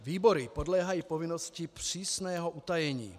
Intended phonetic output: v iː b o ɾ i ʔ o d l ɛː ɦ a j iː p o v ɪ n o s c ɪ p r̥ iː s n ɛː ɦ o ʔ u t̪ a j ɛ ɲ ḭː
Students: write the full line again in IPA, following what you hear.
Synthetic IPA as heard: v iː b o ɾ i p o d l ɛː ɦ a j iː p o v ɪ n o s c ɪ p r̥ iː s n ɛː ɦ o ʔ u t̪ a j ɛ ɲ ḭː